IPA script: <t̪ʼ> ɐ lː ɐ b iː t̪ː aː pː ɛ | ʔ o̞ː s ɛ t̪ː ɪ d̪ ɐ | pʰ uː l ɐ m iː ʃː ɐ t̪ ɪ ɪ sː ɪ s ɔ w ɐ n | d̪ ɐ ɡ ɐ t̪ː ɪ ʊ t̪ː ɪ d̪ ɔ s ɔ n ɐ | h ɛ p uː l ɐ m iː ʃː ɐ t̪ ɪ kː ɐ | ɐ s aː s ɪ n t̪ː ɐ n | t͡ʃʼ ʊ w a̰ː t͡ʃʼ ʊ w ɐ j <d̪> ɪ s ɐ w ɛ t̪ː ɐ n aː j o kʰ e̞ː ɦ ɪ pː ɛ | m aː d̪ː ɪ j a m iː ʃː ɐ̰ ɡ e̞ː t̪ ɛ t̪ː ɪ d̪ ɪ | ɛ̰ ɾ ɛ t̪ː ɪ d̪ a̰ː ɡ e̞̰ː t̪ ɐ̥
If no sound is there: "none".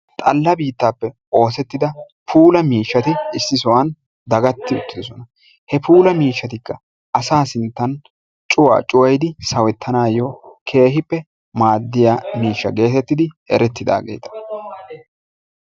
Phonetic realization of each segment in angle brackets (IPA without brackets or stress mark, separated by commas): t̪ʼ, d̪